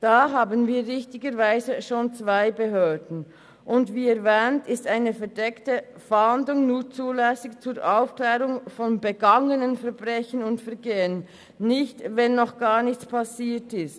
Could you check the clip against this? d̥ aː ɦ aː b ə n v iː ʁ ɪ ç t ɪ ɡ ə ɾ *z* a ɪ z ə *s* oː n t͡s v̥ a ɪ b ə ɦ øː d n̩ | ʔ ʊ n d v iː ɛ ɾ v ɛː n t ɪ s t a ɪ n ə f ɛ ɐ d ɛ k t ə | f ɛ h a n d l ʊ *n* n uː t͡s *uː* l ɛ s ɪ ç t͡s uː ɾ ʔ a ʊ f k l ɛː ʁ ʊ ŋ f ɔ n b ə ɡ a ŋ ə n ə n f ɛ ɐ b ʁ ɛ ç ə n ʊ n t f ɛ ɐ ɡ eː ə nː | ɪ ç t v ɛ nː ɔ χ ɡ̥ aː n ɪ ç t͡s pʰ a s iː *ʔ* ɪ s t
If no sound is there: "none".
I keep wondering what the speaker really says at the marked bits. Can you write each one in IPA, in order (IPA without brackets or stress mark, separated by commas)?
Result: v, ʃ, ŋ, uː, t